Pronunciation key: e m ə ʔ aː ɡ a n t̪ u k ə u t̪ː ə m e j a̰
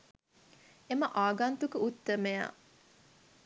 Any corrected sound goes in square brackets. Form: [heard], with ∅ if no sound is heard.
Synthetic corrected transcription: e m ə ʔ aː ɡ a n t̪ u k ə u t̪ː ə m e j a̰